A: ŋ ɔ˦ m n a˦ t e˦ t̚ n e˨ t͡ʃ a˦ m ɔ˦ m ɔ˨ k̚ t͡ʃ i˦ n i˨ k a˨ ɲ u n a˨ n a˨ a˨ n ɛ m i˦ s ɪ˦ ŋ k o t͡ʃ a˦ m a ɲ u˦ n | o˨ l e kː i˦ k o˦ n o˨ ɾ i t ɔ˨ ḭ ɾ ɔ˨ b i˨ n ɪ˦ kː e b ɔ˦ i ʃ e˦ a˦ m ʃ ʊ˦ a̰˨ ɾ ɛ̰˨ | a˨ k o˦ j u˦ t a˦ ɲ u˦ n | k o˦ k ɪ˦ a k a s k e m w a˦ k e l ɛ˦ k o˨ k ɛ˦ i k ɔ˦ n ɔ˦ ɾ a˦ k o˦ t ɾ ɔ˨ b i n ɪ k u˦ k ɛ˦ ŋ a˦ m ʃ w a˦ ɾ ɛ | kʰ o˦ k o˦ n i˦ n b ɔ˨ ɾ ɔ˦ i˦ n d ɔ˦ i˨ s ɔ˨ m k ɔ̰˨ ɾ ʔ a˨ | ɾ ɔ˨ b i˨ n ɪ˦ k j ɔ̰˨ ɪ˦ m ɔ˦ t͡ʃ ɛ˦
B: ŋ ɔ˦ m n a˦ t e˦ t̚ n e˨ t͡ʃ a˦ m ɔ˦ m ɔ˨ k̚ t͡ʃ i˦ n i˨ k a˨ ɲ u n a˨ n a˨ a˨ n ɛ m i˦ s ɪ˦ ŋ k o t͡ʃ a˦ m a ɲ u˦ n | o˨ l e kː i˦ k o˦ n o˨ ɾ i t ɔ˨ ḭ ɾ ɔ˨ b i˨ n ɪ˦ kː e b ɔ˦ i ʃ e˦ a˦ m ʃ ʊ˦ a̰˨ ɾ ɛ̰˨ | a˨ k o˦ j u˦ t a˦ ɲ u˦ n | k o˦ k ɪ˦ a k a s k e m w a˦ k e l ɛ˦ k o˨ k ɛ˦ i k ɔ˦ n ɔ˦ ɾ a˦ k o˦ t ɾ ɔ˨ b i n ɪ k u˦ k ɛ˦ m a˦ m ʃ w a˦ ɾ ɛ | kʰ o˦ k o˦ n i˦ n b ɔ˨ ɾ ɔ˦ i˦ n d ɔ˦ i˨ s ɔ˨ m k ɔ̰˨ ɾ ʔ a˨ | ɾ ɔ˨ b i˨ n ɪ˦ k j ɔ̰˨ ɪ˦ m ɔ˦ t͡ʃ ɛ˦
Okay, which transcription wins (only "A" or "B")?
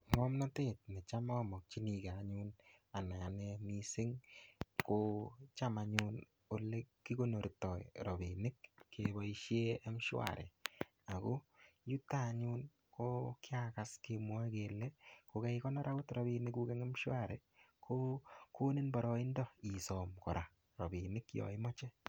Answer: A